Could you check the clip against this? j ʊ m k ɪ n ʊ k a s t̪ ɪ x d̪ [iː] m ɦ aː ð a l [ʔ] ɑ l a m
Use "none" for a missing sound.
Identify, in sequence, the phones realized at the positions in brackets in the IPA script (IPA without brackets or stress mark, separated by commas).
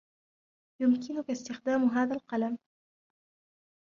aː, q